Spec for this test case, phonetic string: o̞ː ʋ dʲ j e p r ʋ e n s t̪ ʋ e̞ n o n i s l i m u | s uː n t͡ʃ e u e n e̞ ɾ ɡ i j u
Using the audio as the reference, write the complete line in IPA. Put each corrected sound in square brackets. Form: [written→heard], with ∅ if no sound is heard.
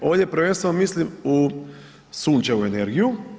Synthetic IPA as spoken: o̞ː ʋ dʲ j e p [r→ɾ] ʋ e n s t̪ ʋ e̞ n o [n→m] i s l i m u | s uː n t͡ʃ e u e n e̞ ɾ ɡ i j u